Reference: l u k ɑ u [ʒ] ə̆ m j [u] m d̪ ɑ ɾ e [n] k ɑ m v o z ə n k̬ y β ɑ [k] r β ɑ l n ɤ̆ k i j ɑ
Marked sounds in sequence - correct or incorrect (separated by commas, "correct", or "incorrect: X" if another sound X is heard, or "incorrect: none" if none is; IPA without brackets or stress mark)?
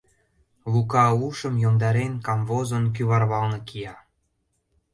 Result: incorrect: ʃ, incorrect: o, correct, incorrect: none